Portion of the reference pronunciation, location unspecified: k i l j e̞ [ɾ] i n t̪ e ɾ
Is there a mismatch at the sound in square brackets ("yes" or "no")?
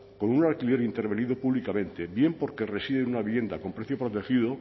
no